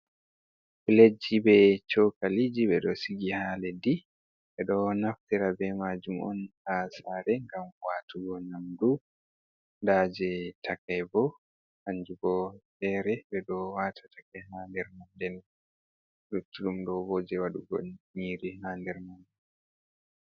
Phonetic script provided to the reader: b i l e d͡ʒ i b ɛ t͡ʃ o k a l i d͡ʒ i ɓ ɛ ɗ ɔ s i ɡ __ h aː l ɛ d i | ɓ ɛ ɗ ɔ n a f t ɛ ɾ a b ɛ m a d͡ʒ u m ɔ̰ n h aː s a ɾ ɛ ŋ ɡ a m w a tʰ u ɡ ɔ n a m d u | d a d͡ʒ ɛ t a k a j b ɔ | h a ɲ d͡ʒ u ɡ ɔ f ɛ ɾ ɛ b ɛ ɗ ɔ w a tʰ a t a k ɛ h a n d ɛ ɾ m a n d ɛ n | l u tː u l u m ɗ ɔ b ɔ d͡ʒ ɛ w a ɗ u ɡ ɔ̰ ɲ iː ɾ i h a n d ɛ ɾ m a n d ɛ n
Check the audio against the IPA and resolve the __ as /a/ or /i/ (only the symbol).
i